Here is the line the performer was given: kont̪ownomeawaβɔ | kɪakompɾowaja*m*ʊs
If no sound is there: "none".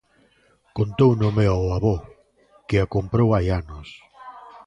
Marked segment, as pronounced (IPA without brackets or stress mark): n